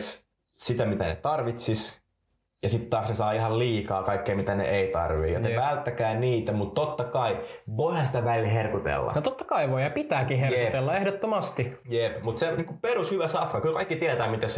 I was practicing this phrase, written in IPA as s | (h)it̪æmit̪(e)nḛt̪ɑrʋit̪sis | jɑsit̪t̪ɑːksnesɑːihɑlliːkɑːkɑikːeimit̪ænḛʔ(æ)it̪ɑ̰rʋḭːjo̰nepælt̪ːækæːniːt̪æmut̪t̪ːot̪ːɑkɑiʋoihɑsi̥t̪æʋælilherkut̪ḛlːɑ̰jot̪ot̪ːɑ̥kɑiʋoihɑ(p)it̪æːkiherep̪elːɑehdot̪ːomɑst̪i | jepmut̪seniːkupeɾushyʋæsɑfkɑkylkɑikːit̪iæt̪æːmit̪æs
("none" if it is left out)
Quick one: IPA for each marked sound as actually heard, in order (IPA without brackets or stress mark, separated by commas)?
s, æ, e, p